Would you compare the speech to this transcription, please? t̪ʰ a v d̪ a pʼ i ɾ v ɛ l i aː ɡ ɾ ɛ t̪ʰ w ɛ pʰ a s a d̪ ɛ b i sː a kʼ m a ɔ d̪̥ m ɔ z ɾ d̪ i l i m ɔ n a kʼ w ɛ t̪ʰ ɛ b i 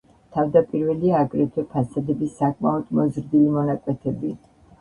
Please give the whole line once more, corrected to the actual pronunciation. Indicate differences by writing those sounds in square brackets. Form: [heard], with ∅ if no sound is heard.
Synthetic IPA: t̪ʰ a v d̪ a pʼ i ɾ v ɛ l i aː ɡ ɾ ɛ t̪ʰ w ɛ pʰ a s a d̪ ɛ b i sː a kʼ m a ɔ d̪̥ m ɔ z ɾ d̪ i l i m ɔ n a kʼ w ɛ t̪ʰ ɛ b i